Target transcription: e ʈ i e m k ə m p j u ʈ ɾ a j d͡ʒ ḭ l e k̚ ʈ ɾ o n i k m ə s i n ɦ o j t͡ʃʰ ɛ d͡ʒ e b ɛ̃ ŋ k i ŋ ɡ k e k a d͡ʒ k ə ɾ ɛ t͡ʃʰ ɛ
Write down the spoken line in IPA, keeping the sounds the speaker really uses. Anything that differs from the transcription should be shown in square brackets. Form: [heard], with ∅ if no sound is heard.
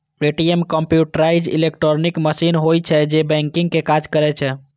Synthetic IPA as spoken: e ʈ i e m k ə m p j u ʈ ɾ a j d͡ʒ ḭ l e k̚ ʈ ɾ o n i k m ə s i n ɦ o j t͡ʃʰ ɛ d͡ʒ e b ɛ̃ ŋ k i ŋ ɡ k e k a d͡ʒ k ə ɾ ɛ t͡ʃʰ ɛ